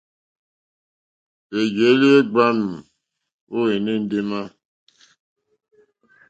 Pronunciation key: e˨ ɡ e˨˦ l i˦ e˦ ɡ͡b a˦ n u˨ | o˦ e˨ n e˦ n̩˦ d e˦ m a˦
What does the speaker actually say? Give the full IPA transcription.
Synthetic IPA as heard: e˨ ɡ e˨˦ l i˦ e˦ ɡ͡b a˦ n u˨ | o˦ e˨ n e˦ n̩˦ d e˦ m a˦